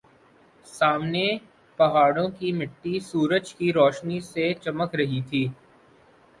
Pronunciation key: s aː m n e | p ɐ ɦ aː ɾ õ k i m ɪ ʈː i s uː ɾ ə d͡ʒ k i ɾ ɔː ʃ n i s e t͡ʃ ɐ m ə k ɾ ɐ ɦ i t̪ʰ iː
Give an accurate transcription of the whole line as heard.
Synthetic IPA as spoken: s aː m n e | p ɐ ɦ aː ɽ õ k i m ɪ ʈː i s uː ɾ ə d͡ʒ k i ɾ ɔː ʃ n i s e t͡ʃ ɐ m ə k ɾ ɐ ɦ i t̪ʰ iː